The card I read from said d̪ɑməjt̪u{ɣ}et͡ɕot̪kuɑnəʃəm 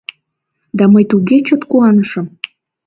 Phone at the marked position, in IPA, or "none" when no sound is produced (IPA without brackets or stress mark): ɣ